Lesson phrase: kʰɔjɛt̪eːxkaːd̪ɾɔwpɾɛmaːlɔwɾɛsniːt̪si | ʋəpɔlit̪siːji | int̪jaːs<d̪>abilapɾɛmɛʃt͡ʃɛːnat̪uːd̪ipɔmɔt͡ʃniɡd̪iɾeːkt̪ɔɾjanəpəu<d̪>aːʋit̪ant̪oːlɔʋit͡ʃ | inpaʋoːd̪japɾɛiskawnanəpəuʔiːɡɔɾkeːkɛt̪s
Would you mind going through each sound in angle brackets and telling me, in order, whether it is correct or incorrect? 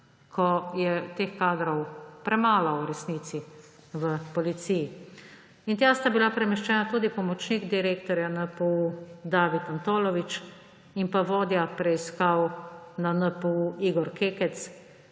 incorrect: t̪, correct

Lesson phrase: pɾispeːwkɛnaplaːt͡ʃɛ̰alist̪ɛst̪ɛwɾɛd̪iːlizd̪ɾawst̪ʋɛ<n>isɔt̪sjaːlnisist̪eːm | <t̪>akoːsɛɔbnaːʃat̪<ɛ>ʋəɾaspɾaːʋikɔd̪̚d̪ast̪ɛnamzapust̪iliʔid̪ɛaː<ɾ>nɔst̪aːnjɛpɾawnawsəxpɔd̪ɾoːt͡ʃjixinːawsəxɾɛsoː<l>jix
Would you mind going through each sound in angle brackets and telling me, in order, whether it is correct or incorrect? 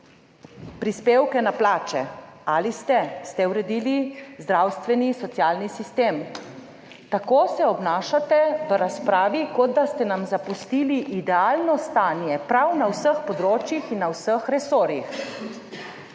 correct, correct, correct, incorrect: l, incorrect: ɾ

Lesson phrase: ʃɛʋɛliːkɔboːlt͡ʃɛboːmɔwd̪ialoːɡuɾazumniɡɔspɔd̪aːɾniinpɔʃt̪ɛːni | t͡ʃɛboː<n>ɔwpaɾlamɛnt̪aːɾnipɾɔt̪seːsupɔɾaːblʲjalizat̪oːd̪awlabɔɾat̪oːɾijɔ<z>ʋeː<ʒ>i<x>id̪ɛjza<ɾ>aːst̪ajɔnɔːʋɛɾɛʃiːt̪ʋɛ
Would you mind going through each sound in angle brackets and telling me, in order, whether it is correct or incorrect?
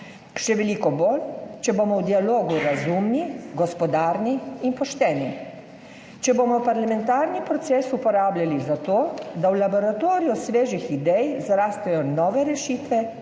incorrect: m, incorrect: s, correct, correct, correct

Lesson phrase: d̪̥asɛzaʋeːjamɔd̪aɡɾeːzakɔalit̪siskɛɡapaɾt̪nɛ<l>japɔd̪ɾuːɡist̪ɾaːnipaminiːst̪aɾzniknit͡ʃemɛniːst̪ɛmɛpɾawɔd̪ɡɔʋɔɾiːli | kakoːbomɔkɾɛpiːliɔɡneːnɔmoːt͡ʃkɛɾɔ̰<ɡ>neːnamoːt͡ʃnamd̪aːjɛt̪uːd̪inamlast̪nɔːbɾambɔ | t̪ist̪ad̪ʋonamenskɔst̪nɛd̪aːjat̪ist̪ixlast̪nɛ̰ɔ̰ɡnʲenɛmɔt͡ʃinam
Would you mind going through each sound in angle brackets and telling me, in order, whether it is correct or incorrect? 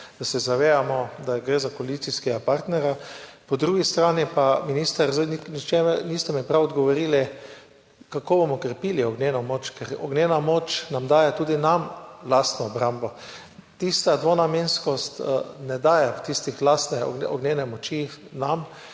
incorrect: ɾ, correct

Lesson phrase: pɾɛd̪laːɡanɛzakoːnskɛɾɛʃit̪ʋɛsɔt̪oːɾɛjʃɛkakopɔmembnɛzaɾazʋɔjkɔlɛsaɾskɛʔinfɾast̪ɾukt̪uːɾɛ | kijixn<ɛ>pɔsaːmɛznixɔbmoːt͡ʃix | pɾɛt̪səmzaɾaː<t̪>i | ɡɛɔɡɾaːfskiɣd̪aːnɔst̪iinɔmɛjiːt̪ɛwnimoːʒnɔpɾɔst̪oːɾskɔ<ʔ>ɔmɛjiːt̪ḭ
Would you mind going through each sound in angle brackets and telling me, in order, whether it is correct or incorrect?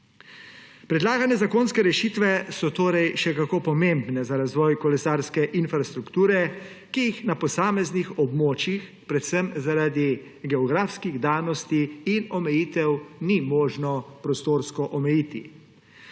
incorrect: a, incorrect: d̪, correct

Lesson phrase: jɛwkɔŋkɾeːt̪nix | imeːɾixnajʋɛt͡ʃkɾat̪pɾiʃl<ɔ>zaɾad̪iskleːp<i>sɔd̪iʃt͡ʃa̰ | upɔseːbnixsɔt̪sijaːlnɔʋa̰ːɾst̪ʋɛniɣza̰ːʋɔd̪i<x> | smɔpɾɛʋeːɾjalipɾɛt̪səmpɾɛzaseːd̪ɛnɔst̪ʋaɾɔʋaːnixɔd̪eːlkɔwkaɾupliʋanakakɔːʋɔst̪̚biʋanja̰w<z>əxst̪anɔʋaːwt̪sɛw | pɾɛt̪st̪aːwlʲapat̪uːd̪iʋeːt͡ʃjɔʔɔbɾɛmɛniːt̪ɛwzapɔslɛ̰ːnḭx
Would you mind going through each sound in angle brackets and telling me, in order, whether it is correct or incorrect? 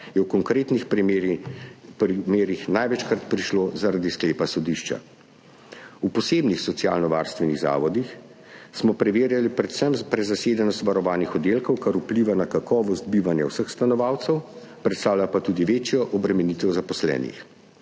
incorrect: o, incorrect: a, correct, incorrect: s

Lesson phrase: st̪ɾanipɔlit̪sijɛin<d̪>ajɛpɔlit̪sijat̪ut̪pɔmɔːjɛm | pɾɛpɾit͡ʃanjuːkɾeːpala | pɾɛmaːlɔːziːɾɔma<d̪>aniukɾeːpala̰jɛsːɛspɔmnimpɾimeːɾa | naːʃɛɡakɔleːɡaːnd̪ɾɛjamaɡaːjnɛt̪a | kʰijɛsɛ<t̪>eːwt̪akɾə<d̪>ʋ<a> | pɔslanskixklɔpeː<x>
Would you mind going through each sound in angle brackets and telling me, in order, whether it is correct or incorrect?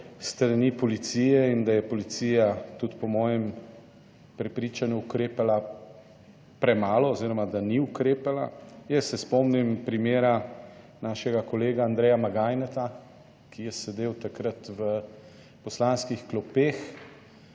correct, correct, incorrect: d̪, incorrect: t̪, incorrect: ə, correct

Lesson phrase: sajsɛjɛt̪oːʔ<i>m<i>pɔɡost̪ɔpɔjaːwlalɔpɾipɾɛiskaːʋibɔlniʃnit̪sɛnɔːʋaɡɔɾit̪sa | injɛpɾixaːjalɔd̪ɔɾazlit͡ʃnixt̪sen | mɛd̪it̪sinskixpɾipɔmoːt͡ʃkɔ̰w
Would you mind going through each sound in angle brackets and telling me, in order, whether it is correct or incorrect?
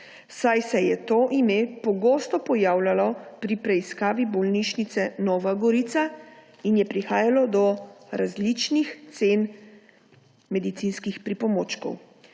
correct, incorrect: e

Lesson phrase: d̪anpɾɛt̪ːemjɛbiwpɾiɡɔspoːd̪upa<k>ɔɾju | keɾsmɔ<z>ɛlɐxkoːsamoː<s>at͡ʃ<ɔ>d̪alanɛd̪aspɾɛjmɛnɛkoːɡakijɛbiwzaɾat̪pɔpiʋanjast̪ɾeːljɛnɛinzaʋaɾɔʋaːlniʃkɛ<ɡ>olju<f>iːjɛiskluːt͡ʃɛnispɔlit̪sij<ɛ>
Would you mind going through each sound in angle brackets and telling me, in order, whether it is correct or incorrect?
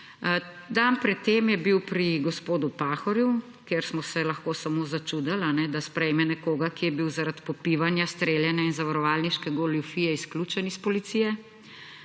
incorrect: x, incorrect: s, incorrect: z, incorrect: u, correct, correct, correct

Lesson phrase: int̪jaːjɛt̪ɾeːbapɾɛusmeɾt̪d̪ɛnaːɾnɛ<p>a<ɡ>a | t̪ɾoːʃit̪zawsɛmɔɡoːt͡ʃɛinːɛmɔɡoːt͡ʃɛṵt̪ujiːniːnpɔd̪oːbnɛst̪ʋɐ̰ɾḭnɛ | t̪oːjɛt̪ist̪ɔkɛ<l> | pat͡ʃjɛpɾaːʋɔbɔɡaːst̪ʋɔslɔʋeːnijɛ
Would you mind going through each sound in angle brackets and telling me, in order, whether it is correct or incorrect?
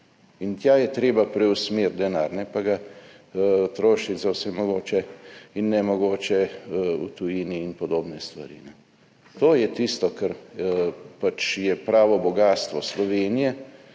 correct, correct, incorrect: ɾ

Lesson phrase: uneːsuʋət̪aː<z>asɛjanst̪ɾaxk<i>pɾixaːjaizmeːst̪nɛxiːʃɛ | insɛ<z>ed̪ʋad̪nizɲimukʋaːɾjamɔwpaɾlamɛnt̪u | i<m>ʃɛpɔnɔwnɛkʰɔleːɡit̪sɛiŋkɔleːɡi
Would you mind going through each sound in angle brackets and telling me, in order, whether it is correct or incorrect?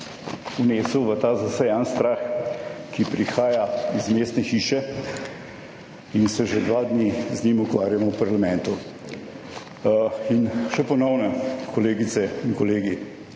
correct, correct, incorrect: ʒ, incorrect: n

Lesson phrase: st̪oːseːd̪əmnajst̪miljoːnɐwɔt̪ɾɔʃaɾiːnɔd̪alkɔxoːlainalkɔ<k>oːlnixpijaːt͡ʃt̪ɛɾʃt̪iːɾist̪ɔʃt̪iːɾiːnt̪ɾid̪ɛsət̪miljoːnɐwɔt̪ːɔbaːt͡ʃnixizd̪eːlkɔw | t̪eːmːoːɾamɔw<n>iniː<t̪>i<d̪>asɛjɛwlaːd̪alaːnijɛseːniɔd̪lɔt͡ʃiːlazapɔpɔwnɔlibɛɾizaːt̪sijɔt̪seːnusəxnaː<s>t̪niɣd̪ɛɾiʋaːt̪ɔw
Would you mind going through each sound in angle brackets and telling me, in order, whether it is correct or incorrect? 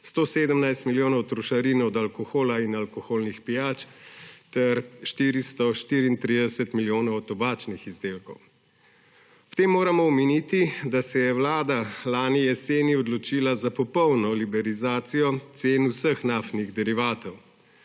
incorrect: x, incorrect: m, correct, correct, incorrect: f

